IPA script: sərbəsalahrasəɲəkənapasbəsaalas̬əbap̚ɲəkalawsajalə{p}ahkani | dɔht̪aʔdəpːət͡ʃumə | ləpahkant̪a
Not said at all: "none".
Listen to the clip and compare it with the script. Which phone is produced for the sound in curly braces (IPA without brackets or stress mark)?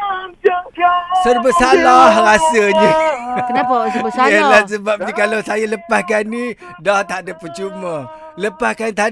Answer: p